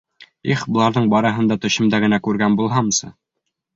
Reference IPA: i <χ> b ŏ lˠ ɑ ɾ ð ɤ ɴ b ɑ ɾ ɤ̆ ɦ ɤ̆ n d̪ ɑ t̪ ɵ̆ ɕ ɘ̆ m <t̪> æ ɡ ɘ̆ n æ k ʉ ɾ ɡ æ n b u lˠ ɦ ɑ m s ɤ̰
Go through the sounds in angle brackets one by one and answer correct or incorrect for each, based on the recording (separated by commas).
correct, incorrect